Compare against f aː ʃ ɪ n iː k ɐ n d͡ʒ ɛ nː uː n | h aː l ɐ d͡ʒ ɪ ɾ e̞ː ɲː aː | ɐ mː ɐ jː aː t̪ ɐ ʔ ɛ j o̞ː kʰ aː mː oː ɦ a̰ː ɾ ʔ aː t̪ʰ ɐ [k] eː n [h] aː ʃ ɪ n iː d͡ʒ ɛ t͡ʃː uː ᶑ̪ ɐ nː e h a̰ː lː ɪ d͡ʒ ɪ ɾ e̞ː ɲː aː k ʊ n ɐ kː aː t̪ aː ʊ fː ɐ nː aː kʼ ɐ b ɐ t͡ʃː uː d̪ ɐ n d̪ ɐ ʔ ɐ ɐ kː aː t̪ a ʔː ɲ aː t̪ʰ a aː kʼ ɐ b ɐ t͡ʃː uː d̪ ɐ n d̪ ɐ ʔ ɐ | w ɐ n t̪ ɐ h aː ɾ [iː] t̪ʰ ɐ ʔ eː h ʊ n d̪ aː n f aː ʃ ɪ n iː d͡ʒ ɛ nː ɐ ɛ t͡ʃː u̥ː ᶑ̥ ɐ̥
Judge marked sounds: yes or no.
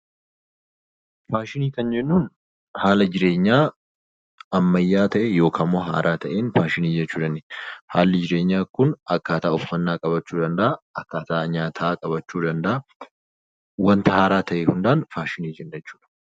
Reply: no, no, no

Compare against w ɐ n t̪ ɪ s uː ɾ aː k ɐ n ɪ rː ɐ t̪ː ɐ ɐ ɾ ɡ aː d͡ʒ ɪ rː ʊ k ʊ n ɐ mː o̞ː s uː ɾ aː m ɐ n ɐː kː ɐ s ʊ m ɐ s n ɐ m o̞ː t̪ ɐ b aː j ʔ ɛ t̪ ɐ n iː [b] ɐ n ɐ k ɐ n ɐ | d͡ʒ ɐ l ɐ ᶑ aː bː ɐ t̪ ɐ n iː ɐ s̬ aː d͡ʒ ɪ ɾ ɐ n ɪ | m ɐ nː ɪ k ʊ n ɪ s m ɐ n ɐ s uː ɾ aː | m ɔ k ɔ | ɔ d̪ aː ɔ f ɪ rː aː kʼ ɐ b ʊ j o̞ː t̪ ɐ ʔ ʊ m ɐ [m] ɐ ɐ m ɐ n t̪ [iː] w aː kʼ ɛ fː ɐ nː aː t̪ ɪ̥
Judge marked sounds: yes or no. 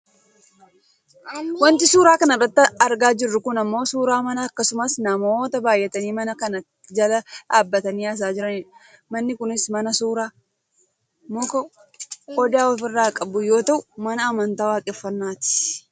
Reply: no, no, no

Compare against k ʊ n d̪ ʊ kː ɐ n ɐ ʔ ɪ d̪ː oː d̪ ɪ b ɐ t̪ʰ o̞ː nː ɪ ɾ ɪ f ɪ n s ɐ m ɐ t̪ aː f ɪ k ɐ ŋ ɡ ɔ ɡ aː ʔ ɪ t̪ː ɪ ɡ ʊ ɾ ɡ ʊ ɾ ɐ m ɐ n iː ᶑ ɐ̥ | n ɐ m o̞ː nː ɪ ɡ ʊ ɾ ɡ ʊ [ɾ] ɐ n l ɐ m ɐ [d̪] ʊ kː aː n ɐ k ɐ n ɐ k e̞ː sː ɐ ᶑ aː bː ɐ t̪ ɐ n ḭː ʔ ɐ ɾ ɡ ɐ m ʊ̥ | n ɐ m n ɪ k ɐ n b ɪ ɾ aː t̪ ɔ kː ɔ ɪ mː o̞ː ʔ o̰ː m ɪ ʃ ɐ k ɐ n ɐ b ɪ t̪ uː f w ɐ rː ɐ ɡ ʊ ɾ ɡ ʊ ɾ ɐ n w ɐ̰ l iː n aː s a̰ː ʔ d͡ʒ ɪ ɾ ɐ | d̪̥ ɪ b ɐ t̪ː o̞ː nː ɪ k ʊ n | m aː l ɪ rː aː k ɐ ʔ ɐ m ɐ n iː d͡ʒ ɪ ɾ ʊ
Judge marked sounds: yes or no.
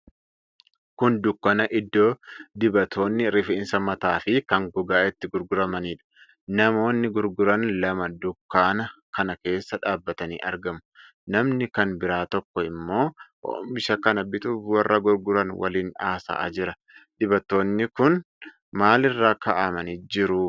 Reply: yes, yes

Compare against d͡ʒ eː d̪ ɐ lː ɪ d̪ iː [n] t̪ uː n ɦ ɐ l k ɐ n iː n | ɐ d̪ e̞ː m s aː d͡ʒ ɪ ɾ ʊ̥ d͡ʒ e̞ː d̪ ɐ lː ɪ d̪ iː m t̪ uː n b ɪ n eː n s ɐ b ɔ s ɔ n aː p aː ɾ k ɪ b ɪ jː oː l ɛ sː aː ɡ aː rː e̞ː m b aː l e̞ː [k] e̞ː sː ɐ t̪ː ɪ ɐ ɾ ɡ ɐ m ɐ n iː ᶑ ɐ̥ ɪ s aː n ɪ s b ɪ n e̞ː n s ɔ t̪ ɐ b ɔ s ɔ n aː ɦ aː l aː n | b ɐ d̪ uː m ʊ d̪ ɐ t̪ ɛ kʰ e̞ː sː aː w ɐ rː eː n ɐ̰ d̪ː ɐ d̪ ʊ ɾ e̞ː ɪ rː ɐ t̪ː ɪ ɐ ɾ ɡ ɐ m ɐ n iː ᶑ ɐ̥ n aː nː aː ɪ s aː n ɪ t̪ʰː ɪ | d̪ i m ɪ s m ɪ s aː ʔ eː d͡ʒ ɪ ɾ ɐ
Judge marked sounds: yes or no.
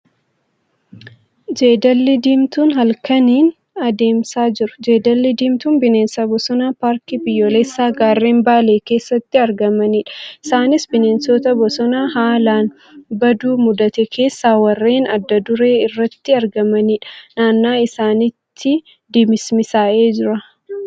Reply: no, yes

